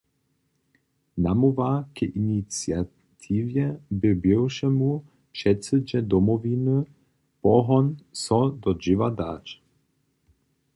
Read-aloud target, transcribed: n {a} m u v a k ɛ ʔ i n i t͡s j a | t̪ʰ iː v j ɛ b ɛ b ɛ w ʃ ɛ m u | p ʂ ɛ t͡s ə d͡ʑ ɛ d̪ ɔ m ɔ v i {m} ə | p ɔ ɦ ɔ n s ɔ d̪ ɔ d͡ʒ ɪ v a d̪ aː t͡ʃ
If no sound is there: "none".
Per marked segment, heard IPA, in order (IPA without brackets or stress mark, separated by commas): a, n